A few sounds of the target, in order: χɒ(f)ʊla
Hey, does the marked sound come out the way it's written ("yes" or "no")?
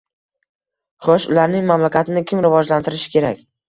no